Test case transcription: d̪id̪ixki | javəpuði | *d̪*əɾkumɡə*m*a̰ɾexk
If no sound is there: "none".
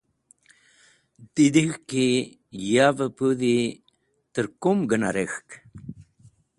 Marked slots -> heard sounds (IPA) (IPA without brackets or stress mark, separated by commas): t̪, n